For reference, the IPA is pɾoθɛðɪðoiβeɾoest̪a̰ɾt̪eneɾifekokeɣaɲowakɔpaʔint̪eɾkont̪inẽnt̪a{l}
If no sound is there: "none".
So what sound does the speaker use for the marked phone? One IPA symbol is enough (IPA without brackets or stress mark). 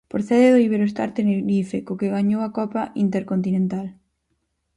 l